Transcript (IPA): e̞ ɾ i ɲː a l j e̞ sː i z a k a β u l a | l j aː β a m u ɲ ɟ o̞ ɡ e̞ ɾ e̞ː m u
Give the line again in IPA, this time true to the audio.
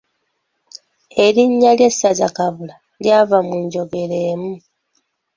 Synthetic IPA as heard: e̞ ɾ i ɲː a l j e̞ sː a z a k a β u l a | l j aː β a m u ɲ ɟ o̞ ɡ e̞ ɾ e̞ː m u